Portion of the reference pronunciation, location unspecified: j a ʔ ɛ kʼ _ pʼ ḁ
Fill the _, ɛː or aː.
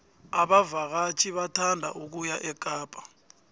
aː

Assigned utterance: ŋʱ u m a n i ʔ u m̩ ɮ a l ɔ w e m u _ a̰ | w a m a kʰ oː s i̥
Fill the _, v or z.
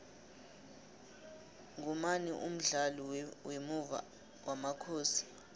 v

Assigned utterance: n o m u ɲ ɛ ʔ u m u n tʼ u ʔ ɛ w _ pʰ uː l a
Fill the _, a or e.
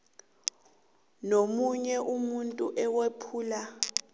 e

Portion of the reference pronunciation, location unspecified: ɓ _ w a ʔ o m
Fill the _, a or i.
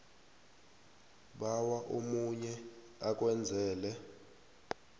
a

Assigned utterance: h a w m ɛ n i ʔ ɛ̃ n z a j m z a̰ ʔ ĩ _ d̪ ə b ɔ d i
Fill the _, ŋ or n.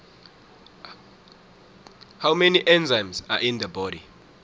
n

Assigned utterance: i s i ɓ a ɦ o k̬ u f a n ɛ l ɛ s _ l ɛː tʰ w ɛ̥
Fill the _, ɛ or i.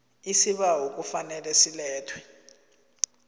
i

